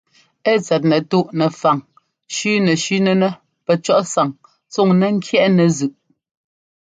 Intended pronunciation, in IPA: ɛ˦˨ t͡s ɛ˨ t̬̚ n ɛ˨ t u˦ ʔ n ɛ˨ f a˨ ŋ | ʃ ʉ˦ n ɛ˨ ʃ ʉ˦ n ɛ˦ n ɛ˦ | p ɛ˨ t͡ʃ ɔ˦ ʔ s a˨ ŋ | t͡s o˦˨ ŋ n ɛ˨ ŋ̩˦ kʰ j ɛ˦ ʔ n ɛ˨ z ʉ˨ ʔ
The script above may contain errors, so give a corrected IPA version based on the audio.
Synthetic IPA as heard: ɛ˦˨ t͡s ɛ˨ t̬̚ n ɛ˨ t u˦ ʔ n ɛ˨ f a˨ ŋ | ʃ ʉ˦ n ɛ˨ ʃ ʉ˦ n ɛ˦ n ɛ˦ | p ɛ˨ t͡ʃ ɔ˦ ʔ s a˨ ŋ | t͡s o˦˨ ŋ n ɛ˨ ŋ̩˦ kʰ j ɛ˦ ʔ n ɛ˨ z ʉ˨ ʔ